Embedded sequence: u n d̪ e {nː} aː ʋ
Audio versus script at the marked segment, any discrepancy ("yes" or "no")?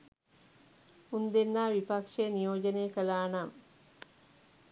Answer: no